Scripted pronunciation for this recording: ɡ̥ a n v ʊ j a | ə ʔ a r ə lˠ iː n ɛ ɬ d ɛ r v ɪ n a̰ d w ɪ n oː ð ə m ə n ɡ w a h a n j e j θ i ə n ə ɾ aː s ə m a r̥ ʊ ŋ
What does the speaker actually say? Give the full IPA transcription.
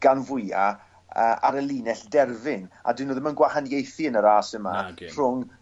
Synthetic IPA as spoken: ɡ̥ a n v ʊ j a | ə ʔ a ɾ ə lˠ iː n ɛ ɬ d ɛ r v ɪ n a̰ d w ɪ n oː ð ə m ə n ɡ w a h a n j e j θ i ə n ə ɾ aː s ə m a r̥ ʊ ŋ